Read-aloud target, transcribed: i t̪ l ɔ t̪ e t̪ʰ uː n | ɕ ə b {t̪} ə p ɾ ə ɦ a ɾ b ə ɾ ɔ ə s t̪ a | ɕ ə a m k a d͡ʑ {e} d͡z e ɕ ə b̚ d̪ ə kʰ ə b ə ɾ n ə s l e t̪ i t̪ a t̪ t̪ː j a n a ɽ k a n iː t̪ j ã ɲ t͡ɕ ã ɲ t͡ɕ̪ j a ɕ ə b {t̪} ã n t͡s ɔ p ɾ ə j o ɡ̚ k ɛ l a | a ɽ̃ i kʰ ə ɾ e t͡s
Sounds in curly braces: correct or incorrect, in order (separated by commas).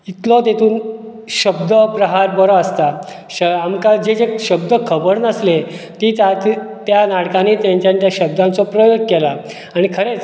incorrect, correct, incorrect